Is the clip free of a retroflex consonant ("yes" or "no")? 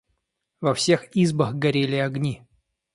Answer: yes